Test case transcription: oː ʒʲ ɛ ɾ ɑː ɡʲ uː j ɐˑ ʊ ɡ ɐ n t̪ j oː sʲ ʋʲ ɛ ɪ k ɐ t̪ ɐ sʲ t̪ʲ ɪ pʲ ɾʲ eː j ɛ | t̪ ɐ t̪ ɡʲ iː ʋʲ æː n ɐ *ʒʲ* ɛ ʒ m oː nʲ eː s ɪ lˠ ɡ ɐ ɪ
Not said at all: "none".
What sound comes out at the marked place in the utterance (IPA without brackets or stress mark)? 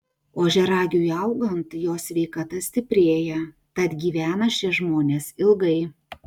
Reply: ʃʲ